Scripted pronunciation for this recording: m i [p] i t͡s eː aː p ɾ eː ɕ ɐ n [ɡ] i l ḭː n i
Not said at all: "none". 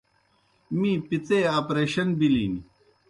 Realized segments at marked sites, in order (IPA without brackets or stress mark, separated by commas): p, b